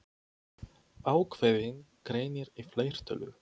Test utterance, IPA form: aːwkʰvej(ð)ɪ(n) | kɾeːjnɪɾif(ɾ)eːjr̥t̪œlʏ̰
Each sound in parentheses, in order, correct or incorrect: correct, correct, incorrect: l

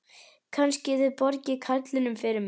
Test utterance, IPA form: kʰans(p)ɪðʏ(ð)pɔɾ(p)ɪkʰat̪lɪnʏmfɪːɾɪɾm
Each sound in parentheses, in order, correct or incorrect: incorrect: c, correct, incorrect: c

